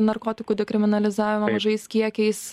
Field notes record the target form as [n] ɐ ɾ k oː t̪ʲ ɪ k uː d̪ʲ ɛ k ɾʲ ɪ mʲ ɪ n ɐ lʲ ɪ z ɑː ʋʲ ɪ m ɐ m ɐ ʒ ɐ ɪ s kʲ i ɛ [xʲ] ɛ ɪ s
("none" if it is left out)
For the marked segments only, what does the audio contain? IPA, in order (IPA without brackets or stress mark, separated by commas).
n, kʲ